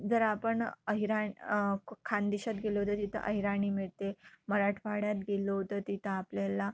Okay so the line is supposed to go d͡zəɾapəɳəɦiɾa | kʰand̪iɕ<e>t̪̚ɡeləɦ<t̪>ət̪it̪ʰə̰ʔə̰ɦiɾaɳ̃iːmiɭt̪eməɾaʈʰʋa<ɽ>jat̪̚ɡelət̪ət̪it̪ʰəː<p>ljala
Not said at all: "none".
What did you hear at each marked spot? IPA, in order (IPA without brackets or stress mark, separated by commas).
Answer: a, t̪, ɽ, p